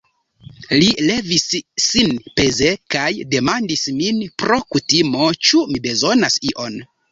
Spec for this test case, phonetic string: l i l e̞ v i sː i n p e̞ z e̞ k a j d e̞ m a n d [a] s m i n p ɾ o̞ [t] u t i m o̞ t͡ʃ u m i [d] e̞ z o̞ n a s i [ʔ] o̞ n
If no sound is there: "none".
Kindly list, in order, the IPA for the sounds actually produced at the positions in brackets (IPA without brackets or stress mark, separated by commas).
i, k, b, ʔ